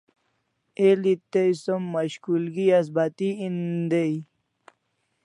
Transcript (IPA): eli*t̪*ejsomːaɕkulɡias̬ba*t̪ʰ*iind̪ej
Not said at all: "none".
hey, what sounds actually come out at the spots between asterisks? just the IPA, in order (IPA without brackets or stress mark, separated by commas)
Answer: t̪, t̪